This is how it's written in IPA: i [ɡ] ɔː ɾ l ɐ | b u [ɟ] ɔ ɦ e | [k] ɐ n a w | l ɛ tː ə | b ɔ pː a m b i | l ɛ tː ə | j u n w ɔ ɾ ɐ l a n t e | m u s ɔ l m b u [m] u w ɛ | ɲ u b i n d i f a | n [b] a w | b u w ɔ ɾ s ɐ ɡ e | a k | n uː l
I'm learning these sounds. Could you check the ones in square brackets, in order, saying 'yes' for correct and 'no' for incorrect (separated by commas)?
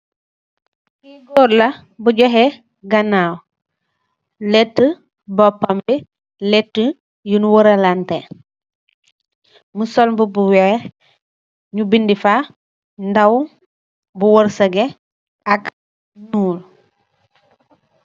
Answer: yes, yes, no, no, no